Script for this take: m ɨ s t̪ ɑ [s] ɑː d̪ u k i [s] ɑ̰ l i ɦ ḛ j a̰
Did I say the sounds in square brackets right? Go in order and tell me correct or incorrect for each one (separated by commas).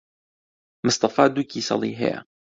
incorrect, correct